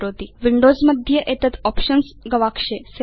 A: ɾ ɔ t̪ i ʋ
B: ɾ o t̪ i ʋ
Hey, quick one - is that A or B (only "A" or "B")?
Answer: B